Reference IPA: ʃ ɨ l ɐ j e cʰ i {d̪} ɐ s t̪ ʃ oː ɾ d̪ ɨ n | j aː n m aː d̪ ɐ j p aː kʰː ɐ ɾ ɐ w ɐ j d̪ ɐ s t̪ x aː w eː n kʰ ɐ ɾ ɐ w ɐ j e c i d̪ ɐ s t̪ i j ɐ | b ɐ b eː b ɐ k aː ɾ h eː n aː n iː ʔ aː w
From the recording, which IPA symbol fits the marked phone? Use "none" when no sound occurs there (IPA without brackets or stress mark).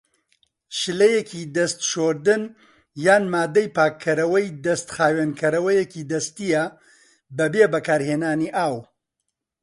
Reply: d̪